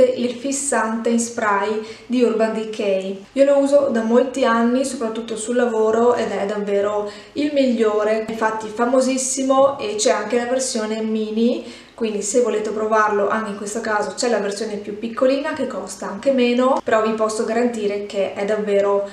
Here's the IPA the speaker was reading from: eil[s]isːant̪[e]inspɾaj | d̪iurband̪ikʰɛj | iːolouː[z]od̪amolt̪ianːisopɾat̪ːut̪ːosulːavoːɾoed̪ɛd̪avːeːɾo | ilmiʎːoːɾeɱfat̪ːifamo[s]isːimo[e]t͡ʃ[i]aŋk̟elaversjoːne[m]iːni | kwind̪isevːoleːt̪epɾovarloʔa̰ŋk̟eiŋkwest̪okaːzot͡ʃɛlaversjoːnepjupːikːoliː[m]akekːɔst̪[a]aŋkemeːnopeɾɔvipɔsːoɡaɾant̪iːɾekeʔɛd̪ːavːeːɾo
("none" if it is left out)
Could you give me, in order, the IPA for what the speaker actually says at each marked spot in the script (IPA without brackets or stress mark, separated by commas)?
f, e, z, z, e, ɛ, m, n, a